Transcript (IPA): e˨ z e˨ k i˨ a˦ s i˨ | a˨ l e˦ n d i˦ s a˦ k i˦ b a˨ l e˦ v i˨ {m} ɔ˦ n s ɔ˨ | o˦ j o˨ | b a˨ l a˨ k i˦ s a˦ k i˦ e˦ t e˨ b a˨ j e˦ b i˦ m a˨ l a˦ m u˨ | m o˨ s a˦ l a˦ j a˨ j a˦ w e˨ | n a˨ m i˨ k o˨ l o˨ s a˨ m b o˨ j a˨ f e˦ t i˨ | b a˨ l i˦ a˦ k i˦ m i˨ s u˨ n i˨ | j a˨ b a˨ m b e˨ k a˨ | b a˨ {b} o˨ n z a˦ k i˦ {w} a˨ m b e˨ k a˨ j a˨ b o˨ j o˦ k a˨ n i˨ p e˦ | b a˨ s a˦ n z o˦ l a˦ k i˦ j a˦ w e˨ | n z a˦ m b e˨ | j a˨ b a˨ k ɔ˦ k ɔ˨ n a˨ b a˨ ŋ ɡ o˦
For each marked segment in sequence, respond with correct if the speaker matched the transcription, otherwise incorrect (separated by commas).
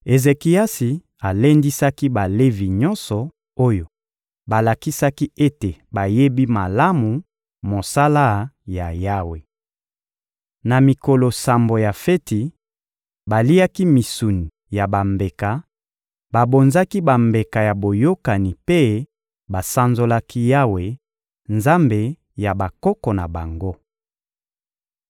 incorrect, correct, incorrect